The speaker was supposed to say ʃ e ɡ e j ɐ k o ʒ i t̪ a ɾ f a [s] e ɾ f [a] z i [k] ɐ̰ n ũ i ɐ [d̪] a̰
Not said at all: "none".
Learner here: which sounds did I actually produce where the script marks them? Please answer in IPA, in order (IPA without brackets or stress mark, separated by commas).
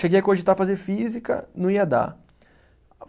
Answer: z, i, k, d̪